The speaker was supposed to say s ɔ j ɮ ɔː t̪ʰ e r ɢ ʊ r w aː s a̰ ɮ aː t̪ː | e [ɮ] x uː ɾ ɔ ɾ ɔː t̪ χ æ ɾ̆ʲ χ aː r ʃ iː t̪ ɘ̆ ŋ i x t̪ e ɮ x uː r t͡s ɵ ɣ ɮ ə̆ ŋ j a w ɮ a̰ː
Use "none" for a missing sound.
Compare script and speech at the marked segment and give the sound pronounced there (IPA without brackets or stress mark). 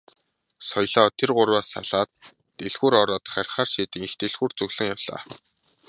ɮ